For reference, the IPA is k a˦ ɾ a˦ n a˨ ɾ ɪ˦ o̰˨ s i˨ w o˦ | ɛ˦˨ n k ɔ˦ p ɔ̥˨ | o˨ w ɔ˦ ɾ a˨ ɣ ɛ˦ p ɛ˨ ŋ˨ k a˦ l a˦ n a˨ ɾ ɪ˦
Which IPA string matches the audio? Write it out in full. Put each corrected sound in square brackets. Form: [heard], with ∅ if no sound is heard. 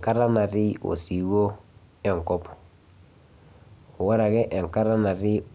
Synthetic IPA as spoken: k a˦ ɾ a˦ n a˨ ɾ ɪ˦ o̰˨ s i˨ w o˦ | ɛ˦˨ [ŋ] k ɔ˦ p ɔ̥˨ | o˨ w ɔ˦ ɾ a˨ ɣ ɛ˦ [ʔ] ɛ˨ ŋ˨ k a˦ [ɾ] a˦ n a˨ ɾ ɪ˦